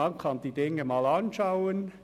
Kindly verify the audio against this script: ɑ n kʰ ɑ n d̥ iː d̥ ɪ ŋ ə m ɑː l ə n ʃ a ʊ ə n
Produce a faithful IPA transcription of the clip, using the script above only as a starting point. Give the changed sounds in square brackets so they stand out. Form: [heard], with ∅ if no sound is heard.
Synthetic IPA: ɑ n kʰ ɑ n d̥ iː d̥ ɪ ŋ ə m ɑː l [ɑ] n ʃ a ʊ ə n